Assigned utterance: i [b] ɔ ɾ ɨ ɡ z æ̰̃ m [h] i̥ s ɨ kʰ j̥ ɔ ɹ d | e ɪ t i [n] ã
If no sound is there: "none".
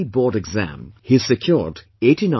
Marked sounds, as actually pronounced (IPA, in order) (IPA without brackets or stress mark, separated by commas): b, h, n